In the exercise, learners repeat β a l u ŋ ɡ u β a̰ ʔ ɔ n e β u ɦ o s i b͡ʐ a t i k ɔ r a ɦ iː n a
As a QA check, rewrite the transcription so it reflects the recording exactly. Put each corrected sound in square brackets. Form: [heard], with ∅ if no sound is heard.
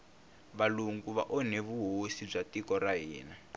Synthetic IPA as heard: β a l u ŋ ɡ u β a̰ ʔ ɔ n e β u ɦ o s i b͡ʐ a t i k ɔ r a ɦ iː n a